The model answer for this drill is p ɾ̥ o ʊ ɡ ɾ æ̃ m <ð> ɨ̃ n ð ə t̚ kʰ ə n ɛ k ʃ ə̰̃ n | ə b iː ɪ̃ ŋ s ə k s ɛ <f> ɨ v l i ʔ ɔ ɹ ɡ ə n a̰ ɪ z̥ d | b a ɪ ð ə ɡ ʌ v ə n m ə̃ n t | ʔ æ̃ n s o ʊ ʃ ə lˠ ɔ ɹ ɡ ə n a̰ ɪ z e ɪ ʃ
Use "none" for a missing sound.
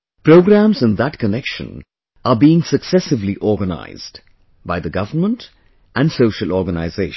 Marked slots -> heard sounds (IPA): z, s

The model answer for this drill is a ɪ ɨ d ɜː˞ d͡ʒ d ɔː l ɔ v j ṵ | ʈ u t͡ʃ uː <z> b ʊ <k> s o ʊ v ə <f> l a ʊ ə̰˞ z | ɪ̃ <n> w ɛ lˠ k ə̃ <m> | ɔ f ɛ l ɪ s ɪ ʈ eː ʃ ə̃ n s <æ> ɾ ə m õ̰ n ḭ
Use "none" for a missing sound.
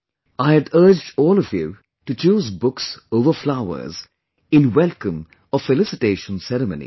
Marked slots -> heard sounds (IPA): z, k, f, n, m, ɛ

